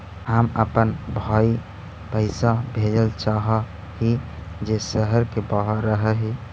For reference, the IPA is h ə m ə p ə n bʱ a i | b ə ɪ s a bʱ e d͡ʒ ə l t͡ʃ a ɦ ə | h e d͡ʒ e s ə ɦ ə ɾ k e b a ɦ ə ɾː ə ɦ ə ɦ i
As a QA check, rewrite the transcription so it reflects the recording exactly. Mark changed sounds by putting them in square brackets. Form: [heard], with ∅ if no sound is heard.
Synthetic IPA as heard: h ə m ə p ə n bʱ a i | [p] ə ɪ s a bʱ e d͡ʒ ə l t͡ʃ a ɦ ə | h [i] d͡ʒ e s ə ɦ ə ɾ k e b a ɦ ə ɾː ə ɦ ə ɦ i